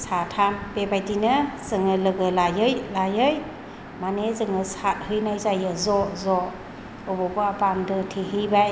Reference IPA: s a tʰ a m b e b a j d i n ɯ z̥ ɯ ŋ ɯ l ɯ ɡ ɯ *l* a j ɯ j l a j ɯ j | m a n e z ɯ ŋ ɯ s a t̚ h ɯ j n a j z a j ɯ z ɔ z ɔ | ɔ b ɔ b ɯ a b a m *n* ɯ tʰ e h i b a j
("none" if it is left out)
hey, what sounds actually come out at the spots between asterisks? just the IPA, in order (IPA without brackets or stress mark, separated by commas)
l, d